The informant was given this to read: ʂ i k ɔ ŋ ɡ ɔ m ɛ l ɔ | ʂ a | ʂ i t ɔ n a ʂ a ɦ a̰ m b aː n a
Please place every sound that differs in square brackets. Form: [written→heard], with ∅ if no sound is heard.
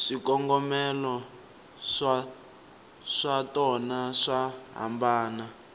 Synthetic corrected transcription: ʂ i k ɔ ŋ ɡ ɔ m ɛ l ɔ | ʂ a | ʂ [i→a] t ɔ n a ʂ a ɦ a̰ m b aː n a